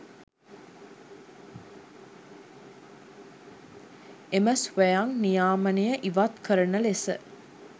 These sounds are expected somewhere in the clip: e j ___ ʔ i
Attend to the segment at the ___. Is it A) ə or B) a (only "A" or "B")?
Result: A